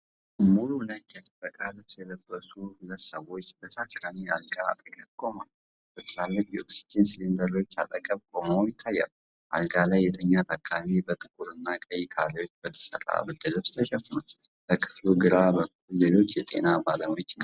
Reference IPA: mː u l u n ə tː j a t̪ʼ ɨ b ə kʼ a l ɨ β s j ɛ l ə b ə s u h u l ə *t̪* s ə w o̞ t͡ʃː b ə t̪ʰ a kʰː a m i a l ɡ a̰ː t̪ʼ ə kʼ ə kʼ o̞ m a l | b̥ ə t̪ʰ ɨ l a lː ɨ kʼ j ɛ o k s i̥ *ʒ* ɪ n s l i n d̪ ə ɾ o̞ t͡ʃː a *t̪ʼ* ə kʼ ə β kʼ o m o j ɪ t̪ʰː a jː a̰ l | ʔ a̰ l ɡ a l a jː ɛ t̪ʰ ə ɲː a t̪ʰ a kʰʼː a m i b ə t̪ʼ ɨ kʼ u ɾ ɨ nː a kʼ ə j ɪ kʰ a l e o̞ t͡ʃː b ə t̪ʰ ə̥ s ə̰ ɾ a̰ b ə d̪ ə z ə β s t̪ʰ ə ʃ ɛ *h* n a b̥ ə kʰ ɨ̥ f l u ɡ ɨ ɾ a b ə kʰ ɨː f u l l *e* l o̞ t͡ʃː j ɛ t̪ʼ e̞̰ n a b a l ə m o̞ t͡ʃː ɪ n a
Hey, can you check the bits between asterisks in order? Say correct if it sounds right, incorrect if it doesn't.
correct, incorrect, correct, incorrect, correct

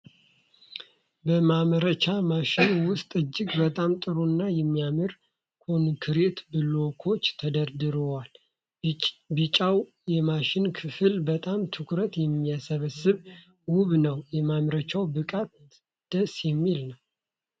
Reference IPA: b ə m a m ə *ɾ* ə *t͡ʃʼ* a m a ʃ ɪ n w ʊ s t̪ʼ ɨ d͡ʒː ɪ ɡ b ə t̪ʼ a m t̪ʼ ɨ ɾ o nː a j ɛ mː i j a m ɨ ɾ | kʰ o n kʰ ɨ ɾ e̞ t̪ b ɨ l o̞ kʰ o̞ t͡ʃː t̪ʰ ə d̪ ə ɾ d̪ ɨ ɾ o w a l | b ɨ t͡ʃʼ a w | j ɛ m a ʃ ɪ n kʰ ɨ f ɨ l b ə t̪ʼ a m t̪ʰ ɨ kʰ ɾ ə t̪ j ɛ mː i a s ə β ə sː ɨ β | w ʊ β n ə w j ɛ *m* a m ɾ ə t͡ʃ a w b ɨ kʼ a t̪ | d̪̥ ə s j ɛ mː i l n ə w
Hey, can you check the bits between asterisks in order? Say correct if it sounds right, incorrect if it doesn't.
correct, incorrect, correct

